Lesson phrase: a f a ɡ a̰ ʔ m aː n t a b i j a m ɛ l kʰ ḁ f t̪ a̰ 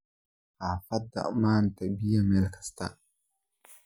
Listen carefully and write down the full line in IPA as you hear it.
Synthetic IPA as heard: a f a d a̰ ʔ m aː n t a b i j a m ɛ l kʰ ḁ s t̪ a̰